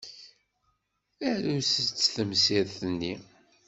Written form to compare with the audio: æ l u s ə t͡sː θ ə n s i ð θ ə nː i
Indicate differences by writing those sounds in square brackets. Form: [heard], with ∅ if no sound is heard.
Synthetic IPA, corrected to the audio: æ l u s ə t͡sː θ ə [m] s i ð θ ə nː i